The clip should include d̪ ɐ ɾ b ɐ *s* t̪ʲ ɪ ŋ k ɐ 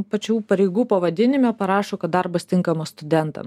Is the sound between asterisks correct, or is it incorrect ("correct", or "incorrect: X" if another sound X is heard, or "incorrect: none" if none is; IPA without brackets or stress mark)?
correct